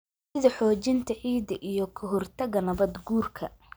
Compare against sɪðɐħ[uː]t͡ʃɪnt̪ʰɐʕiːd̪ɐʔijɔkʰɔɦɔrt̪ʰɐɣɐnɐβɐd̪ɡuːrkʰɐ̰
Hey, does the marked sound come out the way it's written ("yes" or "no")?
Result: no